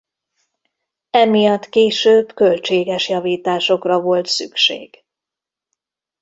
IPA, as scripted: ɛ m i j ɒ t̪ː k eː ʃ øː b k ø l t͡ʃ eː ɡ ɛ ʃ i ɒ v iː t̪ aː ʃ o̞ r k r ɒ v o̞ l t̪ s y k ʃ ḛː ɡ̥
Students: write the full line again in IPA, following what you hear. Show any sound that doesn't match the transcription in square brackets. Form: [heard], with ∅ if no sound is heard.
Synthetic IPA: ɛ m i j ɒ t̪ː k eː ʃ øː b k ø l t͡ʃ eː ɡ ɛ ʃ [j] ɒ v iː t̪ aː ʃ o̞ [∅] k r ɒ v o̞ l t̪ s y k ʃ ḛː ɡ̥